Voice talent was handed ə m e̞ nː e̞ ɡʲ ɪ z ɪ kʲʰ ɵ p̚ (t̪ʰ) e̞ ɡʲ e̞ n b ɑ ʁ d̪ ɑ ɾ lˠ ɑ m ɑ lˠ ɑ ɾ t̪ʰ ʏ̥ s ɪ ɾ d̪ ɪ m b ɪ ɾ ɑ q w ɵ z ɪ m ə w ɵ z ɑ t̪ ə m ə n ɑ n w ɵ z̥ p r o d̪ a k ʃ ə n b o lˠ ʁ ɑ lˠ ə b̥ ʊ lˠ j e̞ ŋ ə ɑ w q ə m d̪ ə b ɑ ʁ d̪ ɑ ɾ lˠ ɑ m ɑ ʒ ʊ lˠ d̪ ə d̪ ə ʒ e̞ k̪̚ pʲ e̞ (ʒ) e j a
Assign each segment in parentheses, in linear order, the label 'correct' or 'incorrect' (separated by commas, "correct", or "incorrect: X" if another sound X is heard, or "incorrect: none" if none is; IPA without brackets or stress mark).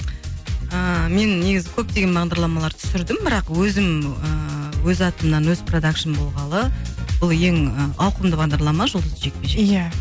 incorrect: t̪, correct